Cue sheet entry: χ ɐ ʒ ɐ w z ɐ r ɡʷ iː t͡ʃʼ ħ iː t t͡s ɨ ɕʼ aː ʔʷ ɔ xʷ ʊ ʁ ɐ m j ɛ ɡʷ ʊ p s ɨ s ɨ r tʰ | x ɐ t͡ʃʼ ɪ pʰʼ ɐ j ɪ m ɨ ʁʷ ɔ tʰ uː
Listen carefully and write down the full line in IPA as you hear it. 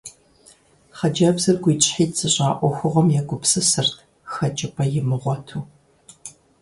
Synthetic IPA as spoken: χ ɐ d͡ʒ ɐ b z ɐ r ɡʷ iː t͡ʃʼ ħ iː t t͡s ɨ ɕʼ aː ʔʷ ɔ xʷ ʊ ʁ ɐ m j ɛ ɡʷ ʊ p s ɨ s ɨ r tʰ | x ɐ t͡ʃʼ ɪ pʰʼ ɐ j ɪ m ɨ ʁʷ ɔ tʰ uː